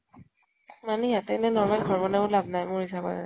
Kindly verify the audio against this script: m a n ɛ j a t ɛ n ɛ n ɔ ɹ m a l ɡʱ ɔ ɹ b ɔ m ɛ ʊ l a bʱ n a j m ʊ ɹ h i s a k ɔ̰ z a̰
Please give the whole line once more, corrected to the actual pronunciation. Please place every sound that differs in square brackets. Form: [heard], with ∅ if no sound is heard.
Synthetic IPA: m a n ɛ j a t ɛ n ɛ n ɔ ɹ m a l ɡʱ ɔ ɹ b ɔ [n] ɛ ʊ l a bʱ n a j m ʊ ɹ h i s a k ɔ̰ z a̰